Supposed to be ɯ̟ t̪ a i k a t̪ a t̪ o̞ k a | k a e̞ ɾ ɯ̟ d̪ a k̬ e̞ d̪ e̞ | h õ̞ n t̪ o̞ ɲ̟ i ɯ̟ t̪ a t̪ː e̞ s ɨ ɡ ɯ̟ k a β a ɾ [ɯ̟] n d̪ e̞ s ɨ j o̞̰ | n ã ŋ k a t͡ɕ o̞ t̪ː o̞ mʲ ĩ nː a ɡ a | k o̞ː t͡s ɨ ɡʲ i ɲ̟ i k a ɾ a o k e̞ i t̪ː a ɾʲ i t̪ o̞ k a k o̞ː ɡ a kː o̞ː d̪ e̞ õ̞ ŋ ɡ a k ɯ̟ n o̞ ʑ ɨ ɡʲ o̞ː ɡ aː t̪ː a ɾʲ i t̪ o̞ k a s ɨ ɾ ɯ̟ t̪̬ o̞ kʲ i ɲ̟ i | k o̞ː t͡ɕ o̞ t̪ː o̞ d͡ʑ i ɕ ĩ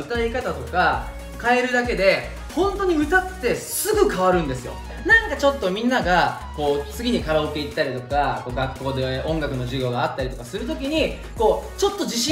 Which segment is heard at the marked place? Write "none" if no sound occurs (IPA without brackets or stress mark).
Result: ɯ̟̃